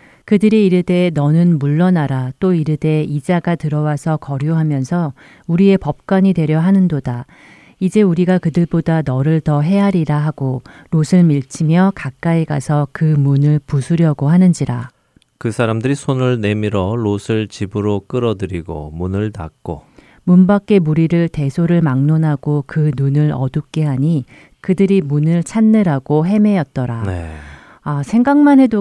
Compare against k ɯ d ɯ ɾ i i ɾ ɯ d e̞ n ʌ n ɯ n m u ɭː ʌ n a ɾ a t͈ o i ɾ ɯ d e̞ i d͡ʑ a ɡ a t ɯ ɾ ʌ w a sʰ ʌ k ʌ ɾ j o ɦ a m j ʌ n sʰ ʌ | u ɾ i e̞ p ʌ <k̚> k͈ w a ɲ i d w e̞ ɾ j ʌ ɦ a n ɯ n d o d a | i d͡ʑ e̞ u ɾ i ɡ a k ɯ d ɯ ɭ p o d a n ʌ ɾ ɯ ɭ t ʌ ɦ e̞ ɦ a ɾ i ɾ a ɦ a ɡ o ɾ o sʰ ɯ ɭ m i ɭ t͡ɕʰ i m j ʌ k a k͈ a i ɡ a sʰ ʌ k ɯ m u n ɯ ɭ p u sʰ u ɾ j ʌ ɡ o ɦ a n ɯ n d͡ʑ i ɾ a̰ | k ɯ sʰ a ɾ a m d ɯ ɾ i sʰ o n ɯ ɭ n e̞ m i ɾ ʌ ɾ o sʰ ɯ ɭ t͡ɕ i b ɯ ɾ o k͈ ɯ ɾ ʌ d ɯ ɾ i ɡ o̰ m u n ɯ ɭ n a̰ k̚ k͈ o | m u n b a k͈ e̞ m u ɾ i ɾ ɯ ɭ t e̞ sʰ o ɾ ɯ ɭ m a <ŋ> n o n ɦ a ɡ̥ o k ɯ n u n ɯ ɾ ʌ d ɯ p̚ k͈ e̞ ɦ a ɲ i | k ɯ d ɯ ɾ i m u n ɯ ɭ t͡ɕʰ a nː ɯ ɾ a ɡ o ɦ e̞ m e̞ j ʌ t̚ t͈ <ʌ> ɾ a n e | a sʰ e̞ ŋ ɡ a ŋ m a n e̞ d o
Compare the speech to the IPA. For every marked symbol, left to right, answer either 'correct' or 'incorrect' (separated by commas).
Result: incorrect, correct, correct